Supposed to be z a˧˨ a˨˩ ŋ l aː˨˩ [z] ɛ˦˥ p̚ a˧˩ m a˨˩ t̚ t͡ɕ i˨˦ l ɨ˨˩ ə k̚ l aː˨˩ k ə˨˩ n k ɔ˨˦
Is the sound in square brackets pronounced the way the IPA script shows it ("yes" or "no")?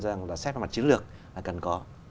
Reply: no